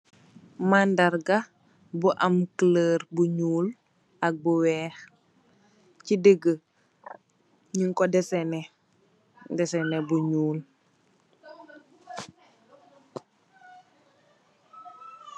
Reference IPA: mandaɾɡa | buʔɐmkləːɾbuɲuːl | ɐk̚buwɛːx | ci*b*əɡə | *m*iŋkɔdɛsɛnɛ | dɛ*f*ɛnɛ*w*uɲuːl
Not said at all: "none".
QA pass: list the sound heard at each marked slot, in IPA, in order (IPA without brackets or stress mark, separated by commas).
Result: d, ɲ, s, b